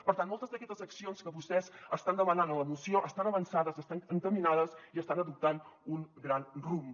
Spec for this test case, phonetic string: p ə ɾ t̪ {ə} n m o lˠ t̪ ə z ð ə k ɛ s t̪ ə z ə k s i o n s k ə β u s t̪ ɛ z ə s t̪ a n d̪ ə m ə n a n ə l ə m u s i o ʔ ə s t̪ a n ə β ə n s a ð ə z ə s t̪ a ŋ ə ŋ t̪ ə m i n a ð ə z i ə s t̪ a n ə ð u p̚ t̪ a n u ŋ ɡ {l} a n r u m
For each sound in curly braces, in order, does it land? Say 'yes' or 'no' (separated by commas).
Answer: no, no